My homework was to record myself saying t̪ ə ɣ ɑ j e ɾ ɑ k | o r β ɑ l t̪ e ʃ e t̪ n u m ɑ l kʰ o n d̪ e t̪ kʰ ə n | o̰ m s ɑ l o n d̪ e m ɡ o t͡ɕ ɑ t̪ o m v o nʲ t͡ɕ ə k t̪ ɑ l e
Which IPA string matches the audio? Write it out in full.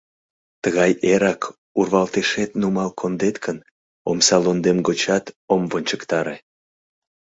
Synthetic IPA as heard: t̪ ə ɣ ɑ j e ɾ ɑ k | u r β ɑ l t̪ e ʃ e t̪ n u m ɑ l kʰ o n d̪ e t̪ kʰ ə n | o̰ m s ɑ l o n d̪ e m ɡ o t͡ɕ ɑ t̪ o m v o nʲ t͡ɕ ə k t̪ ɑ ɾ e